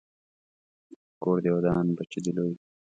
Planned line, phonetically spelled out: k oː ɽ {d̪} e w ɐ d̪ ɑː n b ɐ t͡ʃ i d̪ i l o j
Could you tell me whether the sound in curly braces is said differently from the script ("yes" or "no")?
no